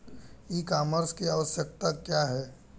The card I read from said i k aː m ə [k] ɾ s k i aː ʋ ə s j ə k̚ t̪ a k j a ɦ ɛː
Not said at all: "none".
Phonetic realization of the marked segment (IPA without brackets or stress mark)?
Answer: none